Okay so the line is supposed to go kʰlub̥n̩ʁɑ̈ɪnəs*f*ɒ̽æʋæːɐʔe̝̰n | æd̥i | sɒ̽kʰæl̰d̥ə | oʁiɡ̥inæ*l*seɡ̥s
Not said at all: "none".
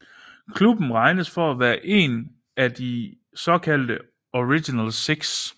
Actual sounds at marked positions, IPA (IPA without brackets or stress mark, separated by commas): f, l